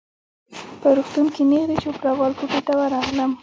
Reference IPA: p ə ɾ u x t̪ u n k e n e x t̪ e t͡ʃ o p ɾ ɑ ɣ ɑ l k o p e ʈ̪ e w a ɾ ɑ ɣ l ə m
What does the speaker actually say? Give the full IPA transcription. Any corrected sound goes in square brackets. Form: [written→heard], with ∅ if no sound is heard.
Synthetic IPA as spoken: p ə ɾ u x t̪ u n k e n e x [t̪→d̪] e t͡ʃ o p ɾ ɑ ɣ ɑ l k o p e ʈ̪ [e→a] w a ɾ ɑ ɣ l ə m